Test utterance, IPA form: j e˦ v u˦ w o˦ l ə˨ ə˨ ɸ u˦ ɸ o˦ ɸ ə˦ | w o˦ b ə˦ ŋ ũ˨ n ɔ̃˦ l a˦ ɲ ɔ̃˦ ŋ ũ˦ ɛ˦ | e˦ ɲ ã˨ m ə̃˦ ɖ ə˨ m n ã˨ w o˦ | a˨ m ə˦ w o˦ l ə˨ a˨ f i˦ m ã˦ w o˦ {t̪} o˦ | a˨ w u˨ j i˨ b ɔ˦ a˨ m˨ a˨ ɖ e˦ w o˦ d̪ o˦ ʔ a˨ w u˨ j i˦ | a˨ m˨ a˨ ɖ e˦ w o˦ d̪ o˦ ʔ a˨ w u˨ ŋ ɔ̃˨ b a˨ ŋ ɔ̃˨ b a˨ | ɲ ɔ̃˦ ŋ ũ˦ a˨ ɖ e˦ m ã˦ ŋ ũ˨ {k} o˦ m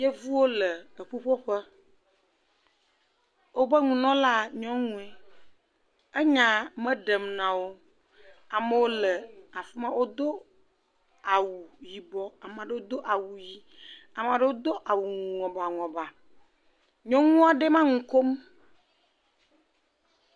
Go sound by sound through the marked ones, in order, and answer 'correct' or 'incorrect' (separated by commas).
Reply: incorrect, correct